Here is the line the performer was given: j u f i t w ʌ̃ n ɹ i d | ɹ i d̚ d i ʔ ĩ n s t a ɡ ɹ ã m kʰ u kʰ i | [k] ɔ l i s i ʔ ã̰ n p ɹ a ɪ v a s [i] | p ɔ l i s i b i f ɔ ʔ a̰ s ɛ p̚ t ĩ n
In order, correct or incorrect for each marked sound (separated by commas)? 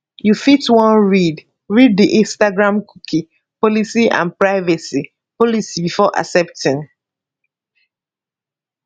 incorrect, correct